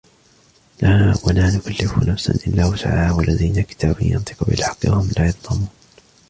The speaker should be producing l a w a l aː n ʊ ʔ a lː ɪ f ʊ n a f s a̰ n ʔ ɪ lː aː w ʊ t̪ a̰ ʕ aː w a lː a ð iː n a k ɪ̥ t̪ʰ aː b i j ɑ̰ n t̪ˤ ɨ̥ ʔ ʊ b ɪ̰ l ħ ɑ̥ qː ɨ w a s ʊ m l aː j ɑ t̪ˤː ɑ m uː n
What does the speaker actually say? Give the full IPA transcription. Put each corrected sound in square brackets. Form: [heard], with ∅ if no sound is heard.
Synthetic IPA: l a w a l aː n ʊ [k] a lː ɪ f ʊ n a f s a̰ n ʔ ɪ lː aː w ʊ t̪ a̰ ʕ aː w a lː a ð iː n a k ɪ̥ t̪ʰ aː b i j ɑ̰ n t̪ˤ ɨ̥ [q] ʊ b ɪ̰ l ħ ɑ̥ qː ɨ w a [h] ʊ m l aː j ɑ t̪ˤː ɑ m uː n

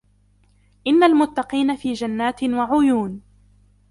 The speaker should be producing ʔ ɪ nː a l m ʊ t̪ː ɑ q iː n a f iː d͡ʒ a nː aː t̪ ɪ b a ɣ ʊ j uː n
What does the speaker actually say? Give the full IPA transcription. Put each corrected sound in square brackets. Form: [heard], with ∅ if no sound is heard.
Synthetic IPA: ʔ ɪ nː a l m ʊ t̪ː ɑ q iː n a f iː d͡ʒ a nː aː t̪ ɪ [w] a [ʕ] ʊ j uː n

